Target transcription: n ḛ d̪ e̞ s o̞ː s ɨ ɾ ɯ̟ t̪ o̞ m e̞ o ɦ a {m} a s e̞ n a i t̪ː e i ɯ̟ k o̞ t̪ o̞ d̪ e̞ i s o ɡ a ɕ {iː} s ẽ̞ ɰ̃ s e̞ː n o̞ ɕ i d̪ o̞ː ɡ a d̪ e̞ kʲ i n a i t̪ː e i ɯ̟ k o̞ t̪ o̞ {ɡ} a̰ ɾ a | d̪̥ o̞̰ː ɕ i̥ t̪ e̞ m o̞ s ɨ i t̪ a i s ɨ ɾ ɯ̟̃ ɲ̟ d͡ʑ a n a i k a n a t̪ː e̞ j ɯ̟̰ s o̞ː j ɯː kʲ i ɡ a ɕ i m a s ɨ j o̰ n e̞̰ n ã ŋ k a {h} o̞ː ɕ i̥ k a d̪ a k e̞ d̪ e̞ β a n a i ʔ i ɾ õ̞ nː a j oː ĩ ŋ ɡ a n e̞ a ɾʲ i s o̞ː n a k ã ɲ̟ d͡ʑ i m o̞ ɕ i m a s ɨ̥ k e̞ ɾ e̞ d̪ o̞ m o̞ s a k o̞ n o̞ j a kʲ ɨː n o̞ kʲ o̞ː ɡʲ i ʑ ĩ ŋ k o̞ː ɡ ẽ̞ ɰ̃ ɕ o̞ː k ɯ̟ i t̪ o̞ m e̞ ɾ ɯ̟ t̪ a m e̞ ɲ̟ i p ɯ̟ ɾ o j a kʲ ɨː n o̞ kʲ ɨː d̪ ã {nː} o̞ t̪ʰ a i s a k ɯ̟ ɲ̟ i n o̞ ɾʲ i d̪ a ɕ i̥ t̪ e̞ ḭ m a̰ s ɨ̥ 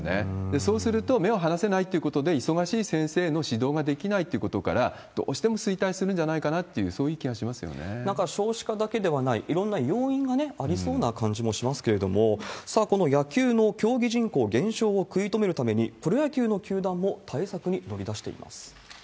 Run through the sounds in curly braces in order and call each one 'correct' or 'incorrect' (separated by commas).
incorrect, correct, incorrect, incorrect, incorrect